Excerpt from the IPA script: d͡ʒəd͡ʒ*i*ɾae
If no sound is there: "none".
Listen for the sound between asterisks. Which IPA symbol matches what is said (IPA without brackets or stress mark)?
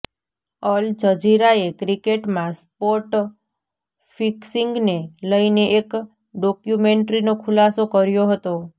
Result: i